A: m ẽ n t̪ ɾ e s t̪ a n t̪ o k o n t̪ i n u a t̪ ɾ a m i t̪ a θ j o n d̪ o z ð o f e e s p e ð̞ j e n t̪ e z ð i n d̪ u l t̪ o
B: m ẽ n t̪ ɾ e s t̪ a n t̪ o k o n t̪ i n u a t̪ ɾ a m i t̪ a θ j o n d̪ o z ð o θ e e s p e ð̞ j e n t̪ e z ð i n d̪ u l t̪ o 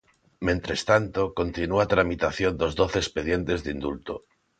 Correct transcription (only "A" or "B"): B